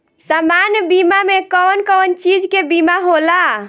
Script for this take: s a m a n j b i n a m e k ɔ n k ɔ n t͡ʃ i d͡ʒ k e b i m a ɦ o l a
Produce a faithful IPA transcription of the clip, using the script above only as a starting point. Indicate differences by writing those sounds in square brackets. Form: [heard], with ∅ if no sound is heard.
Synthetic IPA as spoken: s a m a n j b i [m] a m e k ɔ n k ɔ n t͡ʃ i d͡ʒ k e b i m a ɦ o l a